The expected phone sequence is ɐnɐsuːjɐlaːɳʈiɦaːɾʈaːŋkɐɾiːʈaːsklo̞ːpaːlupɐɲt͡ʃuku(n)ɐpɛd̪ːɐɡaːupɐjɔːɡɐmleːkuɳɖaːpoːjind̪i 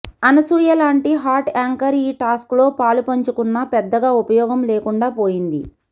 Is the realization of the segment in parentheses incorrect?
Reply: yes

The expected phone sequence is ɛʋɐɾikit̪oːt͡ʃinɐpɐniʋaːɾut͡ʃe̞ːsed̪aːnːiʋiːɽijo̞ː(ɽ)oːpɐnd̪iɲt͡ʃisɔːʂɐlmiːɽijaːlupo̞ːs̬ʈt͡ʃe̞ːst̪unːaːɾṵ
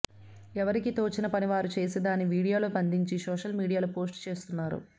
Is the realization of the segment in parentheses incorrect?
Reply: yes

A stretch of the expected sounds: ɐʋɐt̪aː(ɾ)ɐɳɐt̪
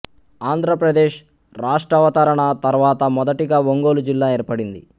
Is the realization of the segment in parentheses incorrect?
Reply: no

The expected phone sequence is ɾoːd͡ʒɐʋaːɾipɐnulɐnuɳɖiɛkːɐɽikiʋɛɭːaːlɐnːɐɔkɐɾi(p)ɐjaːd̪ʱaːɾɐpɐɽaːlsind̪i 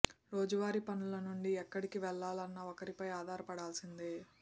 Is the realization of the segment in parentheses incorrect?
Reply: no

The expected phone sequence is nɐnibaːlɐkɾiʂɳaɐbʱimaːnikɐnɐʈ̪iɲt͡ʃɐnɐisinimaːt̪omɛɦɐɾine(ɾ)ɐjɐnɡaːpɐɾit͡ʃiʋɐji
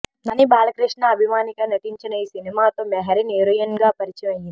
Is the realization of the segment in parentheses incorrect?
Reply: no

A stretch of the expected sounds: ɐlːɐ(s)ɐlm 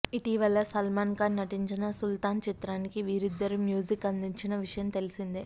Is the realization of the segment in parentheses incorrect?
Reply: no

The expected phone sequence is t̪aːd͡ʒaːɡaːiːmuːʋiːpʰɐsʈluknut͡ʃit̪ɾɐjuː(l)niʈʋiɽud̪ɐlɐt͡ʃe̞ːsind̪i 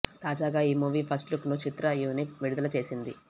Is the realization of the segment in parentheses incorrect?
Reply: yes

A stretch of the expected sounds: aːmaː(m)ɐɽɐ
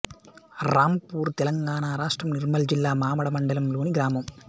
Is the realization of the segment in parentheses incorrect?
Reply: no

